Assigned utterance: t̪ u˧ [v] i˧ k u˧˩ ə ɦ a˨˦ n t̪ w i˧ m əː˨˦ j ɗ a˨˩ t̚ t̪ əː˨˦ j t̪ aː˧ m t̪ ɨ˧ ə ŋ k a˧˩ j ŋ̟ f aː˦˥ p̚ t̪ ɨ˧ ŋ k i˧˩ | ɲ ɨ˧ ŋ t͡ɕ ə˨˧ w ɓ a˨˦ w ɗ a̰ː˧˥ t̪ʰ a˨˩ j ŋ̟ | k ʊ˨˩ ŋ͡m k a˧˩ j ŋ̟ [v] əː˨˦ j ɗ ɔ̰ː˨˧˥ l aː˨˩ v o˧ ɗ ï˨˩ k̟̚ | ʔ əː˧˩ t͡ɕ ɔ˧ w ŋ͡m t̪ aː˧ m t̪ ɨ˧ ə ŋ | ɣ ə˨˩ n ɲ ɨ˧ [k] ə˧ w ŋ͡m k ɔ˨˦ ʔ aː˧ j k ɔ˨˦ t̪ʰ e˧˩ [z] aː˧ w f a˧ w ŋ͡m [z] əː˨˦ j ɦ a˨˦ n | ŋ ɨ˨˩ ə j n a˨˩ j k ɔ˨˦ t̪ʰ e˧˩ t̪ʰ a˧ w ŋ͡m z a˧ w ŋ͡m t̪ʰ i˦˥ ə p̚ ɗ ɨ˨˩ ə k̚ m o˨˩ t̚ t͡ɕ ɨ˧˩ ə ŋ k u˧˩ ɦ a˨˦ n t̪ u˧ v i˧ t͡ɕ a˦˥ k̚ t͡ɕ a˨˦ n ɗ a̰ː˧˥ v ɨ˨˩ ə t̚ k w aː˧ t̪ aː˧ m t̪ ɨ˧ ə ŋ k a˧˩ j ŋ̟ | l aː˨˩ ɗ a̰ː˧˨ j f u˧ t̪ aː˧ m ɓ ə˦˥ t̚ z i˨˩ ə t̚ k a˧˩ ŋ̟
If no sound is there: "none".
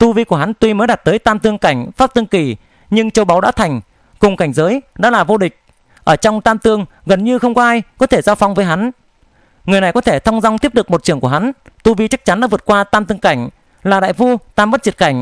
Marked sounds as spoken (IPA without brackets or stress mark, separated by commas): v, z, x, z, v